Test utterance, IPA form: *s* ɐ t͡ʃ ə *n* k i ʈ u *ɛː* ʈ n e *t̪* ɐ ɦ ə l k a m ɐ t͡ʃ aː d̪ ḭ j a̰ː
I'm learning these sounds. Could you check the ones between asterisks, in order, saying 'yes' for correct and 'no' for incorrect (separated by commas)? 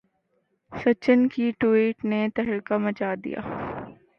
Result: yes, yes, no, yes